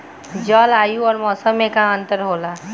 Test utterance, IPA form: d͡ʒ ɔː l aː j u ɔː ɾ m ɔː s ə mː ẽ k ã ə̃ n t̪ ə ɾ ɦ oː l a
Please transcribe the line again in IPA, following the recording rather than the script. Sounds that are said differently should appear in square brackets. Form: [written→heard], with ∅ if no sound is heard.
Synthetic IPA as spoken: d͡ʒ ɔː l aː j u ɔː ɾ m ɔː s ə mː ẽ k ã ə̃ n t̪ ə ɾ ɦ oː l a